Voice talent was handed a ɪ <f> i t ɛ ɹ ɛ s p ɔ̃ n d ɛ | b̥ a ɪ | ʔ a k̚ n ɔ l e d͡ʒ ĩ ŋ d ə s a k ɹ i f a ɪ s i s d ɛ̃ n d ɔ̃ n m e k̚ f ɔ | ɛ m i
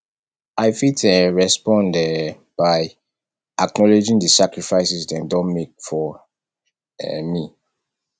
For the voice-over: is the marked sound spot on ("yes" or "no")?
yes